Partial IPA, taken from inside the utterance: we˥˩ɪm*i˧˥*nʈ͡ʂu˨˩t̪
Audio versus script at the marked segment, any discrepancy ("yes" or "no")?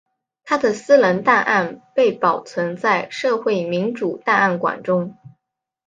no